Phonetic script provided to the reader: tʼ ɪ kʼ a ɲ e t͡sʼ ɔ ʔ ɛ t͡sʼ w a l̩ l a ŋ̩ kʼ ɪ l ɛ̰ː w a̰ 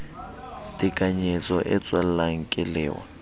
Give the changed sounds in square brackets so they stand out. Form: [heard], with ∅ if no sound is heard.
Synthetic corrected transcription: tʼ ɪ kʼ a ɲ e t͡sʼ ɔ ʔ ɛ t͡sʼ w a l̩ l a ŋ̩ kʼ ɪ l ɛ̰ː w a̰

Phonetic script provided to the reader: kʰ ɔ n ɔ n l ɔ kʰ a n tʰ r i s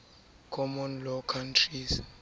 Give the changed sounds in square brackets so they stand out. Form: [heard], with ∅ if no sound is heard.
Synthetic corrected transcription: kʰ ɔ [m] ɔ n l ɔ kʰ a n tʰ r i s

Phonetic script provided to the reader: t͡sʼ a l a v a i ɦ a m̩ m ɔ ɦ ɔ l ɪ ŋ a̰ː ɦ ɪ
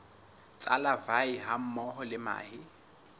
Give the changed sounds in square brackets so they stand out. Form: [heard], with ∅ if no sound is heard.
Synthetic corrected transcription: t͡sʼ a l a v a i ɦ a m̩ m ɔ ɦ ɔ l ɪ [m] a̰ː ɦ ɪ

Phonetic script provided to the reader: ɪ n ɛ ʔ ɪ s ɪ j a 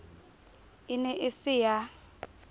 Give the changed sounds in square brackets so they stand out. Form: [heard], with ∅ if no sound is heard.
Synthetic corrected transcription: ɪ n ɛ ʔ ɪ s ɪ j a

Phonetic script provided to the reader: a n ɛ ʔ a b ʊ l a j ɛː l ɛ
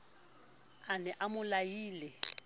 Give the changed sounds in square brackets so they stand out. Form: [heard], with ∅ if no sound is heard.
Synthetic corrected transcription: a n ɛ ʔ a [m] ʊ l a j [iː] l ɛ

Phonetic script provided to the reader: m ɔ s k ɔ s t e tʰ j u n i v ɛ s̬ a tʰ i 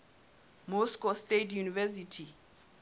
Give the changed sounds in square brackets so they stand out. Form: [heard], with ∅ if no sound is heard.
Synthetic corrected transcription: m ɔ s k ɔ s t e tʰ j u n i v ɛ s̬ [i] tʰ i

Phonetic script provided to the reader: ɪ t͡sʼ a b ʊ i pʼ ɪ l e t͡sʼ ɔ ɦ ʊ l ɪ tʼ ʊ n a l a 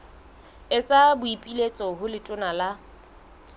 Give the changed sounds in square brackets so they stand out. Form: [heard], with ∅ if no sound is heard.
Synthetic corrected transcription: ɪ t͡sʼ a b ʊ i pʼ [i] l e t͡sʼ ɔ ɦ ʊ l ɪ tʼ ʊ n a l a

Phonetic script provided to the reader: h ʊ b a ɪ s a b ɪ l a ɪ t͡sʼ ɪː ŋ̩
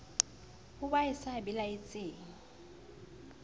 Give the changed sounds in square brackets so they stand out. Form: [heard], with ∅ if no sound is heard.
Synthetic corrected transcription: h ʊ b a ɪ s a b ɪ l a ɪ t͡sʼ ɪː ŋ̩

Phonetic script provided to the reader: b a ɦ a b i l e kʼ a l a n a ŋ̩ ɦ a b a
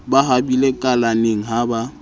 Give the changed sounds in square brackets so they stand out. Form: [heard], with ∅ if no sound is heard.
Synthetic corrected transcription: b a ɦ a b i l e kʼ a l a n [e] ŋ̩ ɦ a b a

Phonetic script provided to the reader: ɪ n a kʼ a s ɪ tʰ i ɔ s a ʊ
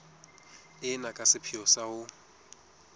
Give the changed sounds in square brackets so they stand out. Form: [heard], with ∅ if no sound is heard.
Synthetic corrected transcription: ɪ n a kʼ a s ɪ [pʰ] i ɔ s a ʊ

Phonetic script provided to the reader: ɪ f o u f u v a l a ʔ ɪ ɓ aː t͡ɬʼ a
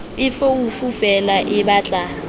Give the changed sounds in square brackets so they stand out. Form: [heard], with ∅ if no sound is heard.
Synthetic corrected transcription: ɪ f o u f u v [ɛ] l a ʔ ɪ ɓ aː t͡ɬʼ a

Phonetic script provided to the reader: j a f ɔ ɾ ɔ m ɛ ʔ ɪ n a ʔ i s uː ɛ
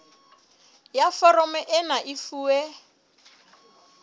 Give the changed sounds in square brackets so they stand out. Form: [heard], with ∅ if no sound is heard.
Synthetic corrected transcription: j a f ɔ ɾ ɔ m ɛ ʔ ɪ n a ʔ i [f] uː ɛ

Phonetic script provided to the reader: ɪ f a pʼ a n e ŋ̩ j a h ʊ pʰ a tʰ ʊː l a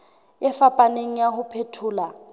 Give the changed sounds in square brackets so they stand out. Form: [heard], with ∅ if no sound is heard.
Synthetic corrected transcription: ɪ f a pʼ a n e ŋ̩ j a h ʊ pʰ [e] tʰ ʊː l a

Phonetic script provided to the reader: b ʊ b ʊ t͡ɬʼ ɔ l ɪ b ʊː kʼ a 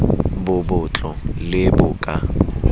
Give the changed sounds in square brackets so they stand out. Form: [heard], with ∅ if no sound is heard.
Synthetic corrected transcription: b ʊ b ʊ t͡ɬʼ ɔ l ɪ b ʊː kʼ a

